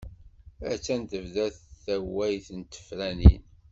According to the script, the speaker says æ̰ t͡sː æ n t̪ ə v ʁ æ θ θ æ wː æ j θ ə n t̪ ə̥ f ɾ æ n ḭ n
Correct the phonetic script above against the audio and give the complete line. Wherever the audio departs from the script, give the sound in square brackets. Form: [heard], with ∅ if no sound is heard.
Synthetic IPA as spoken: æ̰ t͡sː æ n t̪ ə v [ð] æ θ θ æ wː æ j θ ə n t̪ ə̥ f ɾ æ n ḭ n